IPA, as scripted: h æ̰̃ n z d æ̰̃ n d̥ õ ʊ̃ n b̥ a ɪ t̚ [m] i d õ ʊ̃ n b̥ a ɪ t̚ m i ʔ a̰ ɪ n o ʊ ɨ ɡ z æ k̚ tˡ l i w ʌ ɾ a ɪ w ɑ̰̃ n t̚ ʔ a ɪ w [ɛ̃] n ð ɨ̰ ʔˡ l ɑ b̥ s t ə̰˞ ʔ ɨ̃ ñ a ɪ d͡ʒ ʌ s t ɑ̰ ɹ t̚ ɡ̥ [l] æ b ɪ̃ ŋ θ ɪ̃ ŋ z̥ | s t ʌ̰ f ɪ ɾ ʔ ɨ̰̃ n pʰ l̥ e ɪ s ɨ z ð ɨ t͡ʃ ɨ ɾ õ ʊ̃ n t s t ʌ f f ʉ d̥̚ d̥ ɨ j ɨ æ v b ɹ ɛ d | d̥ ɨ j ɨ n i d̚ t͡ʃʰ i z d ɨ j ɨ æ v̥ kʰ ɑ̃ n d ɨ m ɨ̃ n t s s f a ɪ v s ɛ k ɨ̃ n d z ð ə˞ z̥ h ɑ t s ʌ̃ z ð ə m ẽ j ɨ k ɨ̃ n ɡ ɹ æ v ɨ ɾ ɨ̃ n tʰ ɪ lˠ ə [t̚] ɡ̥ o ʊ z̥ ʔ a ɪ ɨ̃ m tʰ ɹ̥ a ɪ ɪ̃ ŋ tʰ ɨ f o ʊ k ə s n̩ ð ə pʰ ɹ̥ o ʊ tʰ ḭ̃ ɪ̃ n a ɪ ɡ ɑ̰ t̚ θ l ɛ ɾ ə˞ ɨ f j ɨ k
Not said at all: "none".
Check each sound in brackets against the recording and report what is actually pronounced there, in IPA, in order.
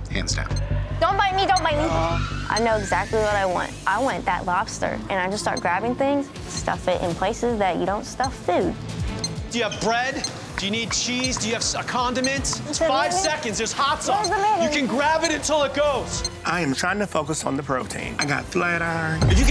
m, ɛ̃, ɹ, t̚

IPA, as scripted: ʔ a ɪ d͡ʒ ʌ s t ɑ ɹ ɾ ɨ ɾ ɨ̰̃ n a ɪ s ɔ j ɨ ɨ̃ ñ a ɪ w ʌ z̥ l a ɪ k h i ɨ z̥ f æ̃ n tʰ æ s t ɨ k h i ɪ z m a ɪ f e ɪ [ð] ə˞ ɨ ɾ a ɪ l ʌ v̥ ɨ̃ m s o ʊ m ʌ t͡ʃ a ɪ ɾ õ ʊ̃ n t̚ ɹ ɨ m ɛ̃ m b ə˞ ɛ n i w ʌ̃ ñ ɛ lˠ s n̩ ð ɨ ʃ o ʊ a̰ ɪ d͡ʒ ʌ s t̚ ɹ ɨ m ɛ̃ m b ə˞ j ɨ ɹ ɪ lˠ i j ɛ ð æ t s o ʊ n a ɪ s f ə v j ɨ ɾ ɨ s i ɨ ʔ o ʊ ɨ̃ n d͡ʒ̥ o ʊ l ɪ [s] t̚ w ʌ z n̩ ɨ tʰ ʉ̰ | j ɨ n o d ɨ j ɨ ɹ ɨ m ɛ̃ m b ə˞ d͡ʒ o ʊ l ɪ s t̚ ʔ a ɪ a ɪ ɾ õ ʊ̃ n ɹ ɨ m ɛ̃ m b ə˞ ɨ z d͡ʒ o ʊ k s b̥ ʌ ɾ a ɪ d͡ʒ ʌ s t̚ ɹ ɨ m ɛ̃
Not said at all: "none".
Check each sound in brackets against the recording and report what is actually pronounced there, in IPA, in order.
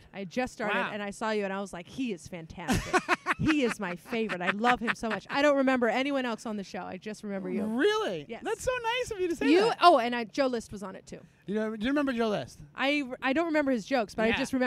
v, s

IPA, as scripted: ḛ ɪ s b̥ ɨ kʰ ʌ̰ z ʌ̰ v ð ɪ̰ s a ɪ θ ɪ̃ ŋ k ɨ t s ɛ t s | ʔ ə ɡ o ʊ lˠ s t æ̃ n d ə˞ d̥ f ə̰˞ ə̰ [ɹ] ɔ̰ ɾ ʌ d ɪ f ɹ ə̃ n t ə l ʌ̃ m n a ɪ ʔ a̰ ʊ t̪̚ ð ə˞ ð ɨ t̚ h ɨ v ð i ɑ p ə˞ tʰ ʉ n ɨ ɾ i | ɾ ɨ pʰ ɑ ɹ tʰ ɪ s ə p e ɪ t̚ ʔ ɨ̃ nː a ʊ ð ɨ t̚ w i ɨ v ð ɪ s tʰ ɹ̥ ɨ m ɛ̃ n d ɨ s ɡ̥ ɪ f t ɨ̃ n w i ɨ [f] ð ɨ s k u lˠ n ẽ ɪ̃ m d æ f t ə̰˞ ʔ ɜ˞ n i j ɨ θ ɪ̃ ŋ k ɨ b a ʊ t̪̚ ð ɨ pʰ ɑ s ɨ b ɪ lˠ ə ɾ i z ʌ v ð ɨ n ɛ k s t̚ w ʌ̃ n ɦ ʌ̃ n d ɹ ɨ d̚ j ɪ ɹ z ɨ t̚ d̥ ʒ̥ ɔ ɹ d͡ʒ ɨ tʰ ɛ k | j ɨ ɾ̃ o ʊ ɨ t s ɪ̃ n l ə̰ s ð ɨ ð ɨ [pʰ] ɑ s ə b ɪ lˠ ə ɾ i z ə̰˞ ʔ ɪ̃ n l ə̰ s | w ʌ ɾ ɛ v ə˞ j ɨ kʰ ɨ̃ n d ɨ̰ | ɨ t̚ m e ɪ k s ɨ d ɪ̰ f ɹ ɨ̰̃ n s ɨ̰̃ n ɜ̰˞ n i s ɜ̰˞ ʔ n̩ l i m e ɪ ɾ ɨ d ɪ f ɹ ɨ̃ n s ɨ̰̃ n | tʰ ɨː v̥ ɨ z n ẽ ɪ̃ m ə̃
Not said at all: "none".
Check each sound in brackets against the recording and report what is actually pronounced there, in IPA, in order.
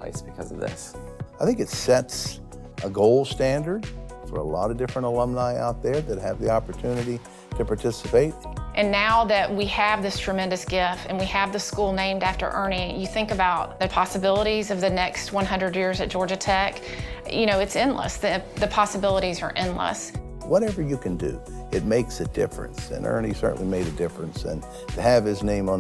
l, v, pʰ

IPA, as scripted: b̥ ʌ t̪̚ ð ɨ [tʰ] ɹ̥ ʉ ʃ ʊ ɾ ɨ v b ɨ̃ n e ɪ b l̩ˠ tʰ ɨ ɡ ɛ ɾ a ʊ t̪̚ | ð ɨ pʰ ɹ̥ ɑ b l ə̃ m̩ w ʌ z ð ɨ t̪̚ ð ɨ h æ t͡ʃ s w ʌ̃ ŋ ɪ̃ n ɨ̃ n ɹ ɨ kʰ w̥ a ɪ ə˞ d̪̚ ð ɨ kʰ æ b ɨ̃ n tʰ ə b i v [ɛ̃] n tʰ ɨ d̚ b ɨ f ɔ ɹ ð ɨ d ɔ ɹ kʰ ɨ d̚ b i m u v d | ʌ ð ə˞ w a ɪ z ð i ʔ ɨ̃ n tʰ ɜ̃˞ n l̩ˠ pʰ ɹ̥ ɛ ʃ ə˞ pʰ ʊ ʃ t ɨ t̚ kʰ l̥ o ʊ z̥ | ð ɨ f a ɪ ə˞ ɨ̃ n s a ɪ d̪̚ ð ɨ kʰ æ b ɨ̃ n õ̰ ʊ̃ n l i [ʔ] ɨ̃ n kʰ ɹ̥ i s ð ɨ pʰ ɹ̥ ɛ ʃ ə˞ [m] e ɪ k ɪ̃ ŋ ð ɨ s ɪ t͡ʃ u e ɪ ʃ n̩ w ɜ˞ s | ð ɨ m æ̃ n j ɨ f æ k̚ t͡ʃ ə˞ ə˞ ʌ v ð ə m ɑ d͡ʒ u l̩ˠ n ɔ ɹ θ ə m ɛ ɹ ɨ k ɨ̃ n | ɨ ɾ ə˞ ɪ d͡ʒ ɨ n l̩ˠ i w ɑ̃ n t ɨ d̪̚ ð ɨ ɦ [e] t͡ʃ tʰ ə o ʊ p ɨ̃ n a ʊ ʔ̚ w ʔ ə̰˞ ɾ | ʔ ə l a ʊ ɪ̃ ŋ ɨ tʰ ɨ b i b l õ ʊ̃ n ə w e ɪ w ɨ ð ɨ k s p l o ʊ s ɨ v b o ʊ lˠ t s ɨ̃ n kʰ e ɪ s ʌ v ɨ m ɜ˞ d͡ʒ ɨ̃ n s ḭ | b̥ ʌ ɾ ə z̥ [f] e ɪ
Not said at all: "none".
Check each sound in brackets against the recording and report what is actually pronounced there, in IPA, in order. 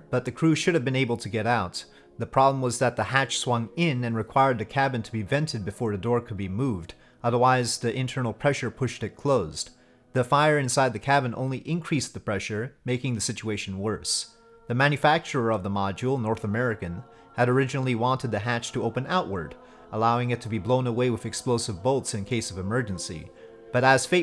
kʰ, ɛ̃, ʔ, m, æ, f

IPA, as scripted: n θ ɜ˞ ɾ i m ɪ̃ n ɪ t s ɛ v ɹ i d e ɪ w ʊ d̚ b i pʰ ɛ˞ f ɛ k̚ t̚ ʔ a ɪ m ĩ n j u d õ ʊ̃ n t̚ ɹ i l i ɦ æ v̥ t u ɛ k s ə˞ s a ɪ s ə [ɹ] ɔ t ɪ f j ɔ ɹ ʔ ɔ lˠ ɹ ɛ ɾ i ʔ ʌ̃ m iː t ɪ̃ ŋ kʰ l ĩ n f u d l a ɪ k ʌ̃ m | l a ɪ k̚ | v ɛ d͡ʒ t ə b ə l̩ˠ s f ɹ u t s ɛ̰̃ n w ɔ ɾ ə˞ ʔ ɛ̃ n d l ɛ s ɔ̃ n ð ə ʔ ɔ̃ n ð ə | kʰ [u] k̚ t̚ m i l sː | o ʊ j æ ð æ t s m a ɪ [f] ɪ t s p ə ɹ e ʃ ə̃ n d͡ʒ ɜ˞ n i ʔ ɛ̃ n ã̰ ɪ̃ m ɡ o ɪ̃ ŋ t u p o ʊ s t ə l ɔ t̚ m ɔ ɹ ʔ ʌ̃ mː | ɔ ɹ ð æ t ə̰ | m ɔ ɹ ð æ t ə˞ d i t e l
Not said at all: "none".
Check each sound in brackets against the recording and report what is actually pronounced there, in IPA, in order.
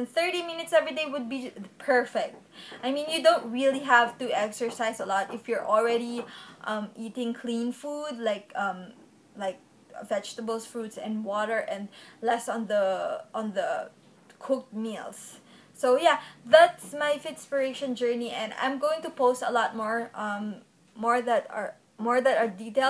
l, ʊ, f

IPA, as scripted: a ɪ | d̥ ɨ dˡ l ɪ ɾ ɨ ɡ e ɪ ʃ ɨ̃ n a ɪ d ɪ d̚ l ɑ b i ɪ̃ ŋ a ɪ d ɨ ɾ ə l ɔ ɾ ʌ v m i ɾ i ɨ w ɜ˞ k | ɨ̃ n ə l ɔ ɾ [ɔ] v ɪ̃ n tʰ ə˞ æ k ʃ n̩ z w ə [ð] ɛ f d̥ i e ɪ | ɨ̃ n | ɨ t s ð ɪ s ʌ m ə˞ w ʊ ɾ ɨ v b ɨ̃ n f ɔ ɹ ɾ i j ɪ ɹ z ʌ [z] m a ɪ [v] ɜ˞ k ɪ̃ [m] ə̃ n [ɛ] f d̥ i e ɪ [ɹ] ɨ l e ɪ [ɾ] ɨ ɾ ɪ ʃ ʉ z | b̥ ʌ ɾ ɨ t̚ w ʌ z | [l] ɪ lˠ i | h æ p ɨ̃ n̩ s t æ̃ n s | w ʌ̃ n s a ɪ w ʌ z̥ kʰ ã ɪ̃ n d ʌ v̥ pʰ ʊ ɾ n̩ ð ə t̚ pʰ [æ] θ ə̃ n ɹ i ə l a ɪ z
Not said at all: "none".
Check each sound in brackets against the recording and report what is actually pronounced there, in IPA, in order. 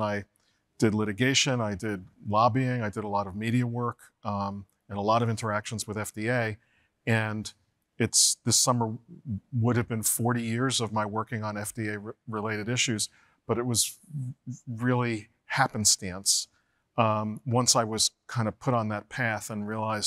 ʌ, ð, v, w, ŋ, ɛ, ɹ, ɾ, ɹ, æ

